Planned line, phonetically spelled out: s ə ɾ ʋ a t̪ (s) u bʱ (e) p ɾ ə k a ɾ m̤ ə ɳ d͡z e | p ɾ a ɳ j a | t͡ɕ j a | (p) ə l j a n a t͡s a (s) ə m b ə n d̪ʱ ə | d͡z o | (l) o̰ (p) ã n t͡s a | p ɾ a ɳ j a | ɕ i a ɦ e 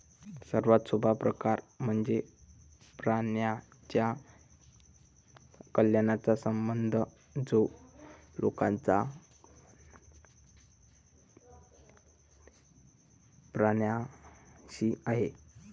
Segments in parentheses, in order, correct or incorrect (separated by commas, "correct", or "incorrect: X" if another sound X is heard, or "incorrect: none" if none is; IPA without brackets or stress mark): correct, incorrect: a, incorrect: k, correct, correct, incorrect: k